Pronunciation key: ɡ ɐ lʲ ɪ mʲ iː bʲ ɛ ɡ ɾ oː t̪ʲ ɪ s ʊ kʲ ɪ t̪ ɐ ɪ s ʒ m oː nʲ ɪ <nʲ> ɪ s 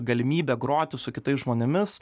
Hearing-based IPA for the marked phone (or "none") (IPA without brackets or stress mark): mʲ